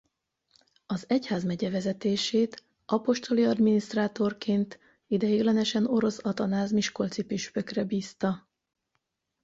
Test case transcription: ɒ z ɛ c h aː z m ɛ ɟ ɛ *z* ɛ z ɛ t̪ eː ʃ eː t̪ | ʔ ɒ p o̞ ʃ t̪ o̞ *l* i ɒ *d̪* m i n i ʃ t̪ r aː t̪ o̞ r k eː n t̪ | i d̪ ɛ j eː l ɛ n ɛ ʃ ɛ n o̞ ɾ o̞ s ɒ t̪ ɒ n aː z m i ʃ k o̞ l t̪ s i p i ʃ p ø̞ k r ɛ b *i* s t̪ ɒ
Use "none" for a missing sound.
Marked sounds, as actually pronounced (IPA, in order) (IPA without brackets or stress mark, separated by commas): v, l, d̪, iː